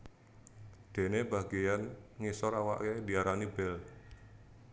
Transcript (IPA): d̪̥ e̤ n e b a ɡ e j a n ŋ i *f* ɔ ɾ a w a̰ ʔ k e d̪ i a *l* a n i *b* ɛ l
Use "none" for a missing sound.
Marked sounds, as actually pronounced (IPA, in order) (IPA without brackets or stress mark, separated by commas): s, ɾ, b